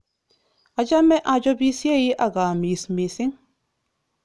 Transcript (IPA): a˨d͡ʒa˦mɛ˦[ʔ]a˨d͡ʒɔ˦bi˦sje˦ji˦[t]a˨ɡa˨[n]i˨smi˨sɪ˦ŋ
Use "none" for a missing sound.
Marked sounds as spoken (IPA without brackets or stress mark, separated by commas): ʔ, ʔ, m